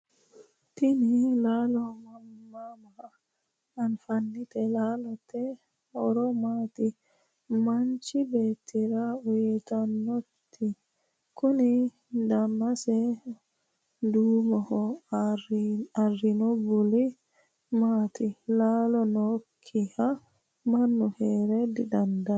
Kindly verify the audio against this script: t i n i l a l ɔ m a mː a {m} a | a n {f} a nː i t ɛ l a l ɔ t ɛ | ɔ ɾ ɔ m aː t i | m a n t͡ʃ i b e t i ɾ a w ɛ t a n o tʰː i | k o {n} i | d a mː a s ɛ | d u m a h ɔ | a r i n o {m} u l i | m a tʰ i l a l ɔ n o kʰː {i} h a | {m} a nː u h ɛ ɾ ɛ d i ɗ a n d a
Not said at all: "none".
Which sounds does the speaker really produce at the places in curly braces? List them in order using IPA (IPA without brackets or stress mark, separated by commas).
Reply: m, f, n, b, i, m